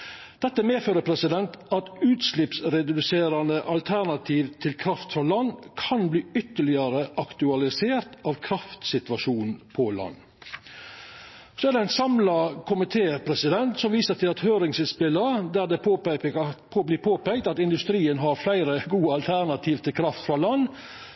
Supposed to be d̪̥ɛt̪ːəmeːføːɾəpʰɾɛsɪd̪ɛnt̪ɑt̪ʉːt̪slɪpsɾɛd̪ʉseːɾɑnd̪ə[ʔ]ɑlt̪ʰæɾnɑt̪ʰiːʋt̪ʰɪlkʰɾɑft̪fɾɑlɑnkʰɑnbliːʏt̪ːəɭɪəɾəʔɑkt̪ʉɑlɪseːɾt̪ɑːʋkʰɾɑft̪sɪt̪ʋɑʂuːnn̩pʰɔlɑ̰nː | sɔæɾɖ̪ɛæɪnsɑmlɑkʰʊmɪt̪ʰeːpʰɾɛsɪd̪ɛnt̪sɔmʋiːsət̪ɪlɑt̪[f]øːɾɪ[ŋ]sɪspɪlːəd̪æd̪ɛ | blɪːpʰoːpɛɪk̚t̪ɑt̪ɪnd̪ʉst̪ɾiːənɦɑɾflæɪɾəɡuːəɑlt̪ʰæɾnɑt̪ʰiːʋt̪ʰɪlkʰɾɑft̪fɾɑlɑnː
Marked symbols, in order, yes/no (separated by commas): yes, no, yes